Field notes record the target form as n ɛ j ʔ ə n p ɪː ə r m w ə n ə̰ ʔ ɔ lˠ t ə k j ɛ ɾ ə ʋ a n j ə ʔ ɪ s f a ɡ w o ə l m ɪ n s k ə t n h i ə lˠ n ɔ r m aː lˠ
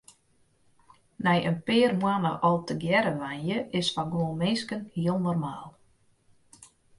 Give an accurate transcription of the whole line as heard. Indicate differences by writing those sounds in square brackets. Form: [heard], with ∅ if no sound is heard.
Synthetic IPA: n ɛ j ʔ ə n p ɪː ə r m w [a] n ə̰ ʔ ɔ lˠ t ə [ɡ] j ɛ ɾ ə ʋ a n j ə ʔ ɪ s f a ɡ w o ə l m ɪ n s k ə [∅] n h i ə lˠ n ɔ r m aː lˠ